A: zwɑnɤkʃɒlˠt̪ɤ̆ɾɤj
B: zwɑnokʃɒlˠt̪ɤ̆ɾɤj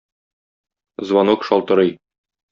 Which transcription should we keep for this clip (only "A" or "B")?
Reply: B